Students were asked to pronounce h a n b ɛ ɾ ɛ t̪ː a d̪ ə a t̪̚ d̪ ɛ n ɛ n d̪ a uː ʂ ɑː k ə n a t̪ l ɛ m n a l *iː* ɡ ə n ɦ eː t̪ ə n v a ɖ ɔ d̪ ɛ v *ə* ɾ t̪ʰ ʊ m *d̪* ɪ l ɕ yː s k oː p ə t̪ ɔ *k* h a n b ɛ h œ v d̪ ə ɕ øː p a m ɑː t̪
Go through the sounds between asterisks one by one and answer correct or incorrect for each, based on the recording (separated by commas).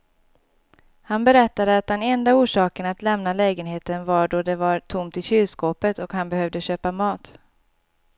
incorrect, incorrect, incorrect, correct